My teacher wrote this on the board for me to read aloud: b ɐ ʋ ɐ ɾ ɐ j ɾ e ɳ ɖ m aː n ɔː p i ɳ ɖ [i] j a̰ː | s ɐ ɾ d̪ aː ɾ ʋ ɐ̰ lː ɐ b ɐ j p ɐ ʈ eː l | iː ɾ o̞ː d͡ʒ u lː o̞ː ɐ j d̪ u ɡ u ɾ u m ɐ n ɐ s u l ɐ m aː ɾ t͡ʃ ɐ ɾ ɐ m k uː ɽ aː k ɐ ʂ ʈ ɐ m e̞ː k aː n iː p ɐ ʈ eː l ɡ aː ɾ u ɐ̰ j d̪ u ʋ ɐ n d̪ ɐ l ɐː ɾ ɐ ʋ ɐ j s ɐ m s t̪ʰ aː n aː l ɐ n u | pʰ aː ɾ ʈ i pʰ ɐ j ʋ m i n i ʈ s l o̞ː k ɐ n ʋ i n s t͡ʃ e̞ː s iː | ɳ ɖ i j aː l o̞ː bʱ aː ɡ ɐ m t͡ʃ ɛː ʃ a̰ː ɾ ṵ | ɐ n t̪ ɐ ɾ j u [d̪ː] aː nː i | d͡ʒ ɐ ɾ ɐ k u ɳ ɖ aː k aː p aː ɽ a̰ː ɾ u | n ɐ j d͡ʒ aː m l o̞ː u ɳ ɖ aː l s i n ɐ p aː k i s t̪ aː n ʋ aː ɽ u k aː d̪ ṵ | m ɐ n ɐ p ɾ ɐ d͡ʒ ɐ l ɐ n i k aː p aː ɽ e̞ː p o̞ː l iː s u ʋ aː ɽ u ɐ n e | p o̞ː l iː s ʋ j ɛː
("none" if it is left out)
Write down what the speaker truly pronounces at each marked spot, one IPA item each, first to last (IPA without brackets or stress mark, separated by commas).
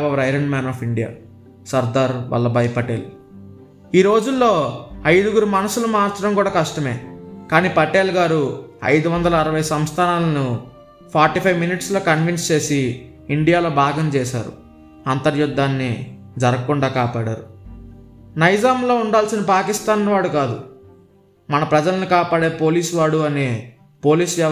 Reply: i, d̪ː